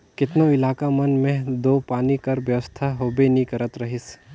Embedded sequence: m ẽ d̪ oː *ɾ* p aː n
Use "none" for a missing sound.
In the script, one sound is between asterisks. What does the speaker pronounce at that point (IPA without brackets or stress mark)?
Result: none